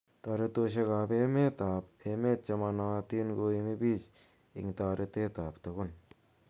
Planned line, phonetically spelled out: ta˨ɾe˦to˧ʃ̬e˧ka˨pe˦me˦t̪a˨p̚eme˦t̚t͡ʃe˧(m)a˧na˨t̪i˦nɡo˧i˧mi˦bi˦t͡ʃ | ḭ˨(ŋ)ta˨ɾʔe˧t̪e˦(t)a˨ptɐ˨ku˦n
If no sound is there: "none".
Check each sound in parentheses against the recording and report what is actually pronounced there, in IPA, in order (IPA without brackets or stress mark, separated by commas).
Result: m, ŋ, t